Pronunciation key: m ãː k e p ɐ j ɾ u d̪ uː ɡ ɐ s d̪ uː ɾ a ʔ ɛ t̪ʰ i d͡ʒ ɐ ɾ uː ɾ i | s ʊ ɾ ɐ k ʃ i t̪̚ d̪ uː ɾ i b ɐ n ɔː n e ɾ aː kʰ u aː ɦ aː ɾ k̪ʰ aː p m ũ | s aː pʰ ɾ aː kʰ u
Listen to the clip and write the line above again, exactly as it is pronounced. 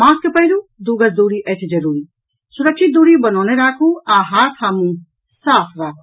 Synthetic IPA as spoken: m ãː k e p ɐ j ɾ u d̪ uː ɡ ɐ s d̪ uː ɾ i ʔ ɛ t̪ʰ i d͡ʒ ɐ ɾ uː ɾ i | s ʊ ɾ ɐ k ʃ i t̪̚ d̪ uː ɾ i b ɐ n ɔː n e ɾ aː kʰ u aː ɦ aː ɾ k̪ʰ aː m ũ | s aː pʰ ɾ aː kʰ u